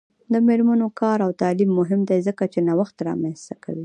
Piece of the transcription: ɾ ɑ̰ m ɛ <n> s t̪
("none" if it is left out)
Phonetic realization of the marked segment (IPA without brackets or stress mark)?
n